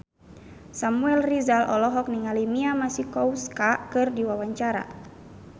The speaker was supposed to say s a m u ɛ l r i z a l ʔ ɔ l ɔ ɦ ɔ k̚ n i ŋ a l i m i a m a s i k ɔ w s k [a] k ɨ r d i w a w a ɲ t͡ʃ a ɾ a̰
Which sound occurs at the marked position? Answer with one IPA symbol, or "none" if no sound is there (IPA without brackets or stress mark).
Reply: a